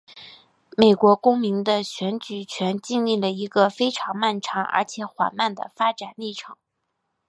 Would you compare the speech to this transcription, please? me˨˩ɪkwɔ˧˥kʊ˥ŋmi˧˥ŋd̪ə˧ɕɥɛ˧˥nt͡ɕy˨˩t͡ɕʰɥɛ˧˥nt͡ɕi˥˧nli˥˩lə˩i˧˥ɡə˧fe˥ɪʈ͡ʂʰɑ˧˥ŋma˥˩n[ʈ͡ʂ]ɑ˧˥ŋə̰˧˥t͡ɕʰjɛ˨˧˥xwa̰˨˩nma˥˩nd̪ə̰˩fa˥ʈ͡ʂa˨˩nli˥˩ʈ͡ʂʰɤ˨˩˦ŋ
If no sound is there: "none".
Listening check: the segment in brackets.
ʈ͡ʂʰ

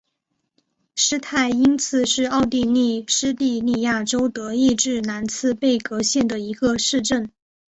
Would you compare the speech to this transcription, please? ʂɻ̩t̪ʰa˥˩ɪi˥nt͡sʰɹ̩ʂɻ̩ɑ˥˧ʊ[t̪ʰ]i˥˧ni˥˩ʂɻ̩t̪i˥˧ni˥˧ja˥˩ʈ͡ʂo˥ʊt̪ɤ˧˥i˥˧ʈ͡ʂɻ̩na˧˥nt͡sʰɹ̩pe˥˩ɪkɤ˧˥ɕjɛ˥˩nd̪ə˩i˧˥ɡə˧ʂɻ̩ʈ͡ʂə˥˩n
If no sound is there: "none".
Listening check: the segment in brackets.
t̪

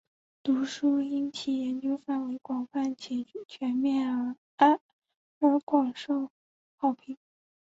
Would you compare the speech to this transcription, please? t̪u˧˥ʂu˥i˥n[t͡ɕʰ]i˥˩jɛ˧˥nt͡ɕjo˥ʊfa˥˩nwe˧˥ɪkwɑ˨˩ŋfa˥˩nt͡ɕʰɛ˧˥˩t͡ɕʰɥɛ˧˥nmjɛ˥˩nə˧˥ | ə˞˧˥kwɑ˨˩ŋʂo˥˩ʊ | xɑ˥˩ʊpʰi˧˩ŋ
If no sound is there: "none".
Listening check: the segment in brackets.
t͡ɕʰ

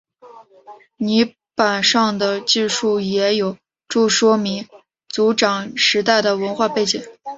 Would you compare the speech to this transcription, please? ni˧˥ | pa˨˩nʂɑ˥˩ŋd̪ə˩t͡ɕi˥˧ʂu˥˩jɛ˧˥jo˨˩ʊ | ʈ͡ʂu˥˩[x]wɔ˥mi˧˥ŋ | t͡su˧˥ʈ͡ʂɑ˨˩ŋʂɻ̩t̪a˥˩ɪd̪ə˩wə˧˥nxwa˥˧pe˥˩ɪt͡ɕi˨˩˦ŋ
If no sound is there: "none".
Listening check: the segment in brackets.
ʂ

